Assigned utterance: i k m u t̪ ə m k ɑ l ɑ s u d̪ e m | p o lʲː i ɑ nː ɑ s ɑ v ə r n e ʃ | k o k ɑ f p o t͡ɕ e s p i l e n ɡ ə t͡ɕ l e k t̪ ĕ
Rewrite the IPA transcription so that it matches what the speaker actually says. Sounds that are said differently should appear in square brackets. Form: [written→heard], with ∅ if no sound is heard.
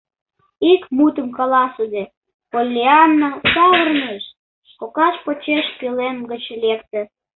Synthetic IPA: i k m u t̪ ə m k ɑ l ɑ s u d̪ e [m→∅] | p o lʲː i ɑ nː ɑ s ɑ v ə r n e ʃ | k o k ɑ [f→ʃ] p o t͡ɕ e [s→ʃ] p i l e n ɡ ə t͡ɕ l e k t̪ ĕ